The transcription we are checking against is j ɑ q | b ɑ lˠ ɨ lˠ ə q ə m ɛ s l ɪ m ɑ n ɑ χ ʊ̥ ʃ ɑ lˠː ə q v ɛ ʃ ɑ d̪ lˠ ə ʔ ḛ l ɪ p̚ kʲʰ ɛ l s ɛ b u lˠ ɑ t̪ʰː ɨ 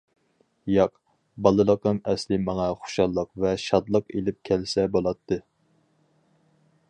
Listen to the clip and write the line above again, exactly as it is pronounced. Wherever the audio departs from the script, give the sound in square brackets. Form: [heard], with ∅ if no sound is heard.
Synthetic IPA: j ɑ q | b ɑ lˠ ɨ lˠ ə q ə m ɛ s l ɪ m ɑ [ŋ] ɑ χ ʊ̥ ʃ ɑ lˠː ə q v ɛ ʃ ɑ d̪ lˠ ə [q] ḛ l ɪ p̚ kʲʰ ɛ l s ɛ b [o] lˠ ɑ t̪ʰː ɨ